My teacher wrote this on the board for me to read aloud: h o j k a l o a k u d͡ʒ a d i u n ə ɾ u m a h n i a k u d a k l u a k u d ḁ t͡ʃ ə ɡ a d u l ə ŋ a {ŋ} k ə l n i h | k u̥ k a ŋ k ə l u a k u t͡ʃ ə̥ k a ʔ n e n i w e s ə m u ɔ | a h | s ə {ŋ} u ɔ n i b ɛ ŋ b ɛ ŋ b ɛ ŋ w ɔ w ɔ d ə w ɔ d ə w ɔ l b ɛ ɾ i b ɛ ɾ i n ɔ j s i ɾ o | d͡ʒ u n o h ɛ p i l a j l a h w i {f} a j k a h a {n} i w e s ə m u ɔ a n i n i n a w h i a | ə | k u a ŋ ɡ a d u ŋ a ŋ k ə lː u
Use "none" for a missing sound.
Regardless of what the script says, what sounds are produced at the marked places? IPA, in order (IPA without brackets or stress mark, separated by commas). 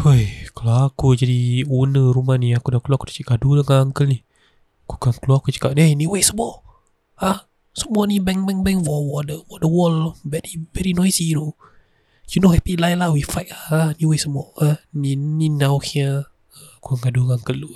ŋ, m, f, n